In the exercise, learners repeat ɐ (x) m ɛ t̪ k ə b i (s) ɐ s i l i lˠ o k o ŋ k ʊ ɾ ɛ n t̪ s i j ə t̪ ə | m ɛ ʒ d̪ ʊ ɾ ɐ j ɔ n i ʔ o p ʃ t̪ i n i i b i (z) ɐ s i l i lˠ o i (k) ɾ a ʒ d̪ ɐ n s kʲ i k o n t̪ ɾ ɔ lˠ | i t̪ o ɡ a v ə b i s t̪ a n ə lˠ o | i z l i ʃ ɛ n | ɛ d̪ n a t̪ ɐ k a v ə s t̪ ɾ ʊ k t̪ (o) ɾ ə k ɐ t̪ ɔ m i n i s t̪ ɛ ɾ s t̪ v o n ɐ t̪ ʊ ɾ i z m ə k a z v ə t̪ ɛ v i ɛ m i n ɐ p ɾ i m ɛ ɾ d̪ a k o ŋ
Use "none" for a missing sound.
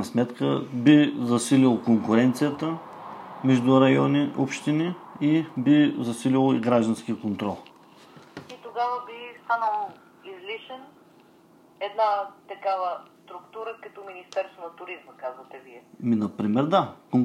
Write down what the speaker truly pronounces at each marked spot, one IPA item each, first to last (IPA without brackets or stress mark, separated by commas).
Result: s, z, z, ɡ, u